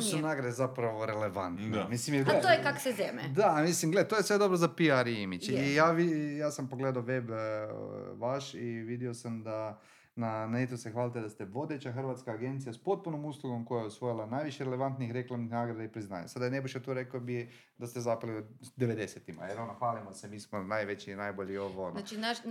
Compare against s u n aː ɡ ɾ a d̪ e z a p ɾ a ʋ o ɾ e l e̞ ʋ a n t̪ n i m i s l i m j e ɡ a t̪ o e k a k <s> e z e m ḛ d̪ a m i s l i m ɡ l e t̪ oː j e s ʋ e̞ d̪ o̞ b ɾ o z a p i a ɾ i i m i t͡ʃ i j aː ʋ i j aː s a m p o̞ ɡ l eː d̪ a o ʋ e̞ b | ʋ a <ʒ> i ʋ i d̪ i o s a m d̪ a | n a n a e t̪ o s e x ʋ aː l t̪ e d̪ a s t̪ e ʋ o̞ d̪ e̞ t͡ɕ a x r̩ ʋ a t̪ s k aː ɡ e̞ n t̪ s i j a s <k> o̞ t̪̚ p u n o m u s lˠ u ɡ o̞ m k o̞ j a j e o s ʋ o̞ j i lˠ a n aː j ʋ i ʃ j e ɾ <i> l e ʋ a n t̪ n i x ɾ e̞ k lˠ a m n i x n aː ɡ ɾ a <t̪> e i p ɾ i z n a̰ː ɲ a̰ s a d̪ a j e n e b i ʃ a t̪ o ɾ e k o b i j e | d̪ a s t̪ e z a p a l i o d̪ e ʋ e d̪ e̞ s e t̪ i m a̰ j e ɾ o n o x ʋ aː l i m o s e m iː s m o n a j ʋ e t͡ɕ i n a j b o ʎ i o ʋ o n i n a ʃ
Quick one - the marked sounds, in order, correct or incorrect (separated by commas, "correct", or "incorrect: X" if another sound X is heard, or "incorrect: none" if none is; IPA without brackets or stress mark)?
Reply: correct, incorrect: ʃ, incorrect: p, incorrect: e, incorrect: d̪